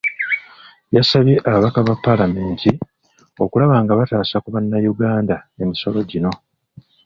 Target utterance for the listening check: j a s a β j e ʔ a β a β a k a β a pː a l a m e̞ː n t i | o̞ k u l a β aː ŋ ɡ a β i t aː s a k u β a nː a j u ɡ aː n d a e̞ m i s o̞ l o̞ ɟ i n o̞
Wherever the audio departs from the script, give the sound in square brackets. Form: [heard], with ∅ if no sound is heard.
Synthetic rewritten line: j a s a β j e ʔ a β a β a k a β a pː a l a m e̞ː n t i | o̞ k u l a β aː ŋ ɡ a β [a] t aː s a k u β a nː a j u ɡ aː n d a e̞ m i s o̞ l o̞ ɟ i n o̞

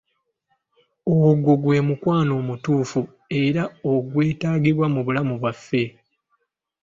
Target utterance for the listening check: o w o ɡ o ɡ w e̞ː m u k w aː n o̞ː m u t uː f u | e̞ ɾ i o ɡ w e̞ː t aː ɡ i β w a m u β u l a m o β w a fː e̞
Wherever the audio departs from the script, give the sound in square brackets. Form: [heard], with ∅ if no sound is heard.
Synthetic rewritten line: o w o ɡ o ɡ w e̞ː m u k w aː n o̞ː m u t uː f u | e̞ ɾ [a] o ɡ w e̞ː t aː ɡ i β w a m u β u l a m [u] β w a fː e̞

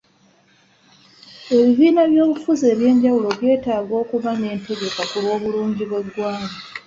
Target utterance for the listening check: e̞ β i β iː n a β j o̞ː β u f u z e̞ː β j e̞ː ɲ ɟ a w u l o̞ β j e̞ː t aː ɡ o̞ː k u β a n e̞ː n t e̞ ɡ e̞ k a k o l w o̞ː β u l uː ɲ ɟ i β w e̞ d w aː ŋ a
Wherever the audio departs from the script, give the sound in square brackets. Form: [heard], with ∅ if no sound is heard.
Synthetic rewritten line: e̞ β i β iː n a β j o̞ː β u f u z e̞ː β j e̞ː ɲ ɟ a w u l o̞ β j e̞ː t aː ɡ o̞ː k u β a n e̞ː n t e̞ ɡ e̞ k a k [u] l w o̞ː β u l uː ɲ ɟ i β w e̞ d w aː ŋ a

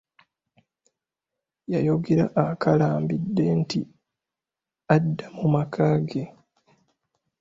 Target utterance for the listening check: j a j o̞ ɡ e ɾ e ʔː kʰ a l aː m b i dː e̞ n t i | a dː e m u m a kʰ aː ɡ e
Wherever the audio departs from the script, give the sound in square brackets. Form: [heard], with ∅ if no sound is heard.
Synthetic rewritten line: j a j o̞ ɡ e ɾ [a] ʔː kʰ a l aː m b i dː e̞ n t i | a dː [a] m u m a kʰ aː ɡ e

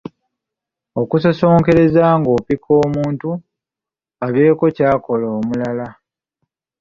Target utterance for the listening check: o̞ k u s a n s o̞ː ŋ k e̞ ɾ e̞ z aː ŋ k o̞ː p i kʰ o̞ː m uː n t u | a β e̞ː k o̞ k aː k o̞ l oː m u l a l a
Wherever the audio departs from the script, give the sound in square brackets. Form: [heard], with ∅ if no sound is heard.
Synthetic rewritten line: o̞ k u s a [∅] s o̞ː ŋ k e̞ ɾ e̞ z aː ŋ [ɡ] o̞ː p i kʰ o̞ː m uː n t u | a β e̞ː k o̞ [c] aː k o̞ l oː m u l a l a

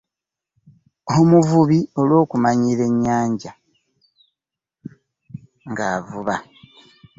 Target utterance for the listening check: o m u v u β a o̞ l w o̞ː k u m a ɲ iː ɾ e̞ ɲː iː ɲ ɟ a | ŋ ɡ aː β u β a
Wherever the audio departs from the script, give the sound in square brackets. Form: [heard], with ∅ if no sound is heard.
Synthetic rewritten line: o m u v u β [i] o̞ l w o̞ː k u m a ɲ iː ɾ e̞ ɲː [aː] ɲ ɟ a | ŋ ɡ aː [v] u β a

